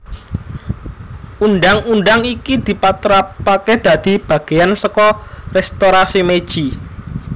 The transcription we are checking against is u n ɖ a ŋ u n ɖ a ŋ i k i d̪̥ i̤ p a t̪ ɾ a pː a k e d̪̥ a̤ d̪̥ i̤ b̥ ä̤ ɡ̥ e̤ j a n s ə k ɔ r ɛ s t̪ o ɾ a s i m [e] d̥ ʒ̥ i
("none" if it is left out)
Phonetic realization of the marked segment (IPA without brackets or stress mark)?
e